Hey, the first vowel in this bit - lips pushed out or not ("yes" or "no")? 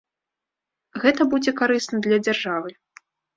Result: no